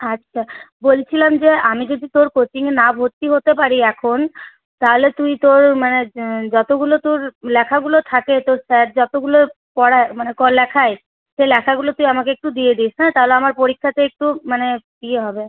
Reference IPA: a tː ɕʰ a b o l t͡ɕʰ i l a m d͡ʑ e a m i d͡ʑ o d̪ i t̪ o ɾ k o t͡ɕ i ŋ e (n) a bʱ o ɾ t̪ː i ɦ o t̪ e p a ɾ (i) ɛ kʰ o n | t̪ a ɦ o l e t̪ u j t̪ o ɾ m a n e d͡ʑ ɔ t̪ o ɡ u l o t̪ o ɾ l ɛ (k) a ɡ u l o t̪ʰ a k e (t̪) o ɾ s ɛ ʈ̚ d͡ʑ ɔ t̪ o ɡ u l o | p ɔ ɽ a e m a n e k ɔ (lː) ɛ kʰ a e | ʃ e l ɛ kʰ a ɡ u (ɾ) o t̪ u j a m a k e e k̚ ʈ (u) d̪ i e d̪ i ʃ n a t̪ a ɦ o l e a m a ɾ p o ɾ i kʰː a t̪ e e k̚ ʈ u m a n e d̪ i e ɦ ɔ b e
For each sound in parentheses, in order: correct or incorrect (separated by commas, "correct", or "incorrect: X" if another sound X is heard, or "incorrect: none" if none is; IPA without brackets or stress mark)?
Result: correct, correct, incorrect: kʰ, correct, incorrect: l, incorrect: l, correct